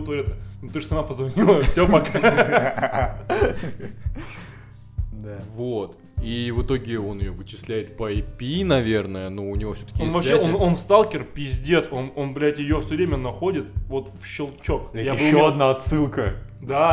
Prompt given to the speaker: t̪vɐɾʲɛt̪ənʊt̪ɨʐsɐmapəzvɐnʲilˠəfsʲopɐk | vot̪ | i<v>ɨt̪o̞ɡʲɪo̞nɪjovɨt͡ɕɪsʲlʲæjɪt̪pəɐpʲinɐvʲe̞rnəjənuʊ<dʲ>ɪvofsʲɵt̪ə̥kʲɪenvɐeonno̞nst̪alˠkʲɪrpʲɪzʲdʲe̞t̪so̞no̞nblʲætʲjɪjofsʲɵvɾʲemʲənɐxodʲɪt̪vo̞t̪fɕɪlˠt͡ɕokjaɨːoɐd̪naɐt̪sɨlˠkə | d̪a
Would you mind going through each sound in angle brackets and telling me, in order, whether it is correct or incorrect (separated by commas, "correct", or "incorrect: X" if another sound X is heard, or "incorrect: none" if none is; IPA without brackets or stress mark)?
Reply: correct, incorrect: nʲ